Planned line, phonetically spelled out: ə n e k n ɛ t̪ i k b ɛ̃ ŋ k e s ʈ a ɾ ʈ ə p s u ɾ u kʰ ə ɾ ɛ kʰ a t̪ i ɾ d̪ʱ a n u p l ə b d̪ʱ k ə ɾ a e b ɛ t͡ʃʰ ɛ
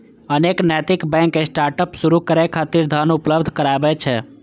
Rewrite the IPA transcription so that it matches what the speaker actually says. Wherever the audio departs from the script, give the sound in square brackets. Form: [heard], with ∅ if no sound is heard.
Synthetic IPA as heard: ə n e k n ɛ t̪ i k b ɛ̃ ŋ k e s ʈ a ɾ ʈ ə p s u ɾ u [k] ə ɾ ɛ kʰ a t̪ i ɾ d̪ʱ a n u p l ə b d̪ʱ k ə ɾ a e b ɛ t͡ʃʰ ɛ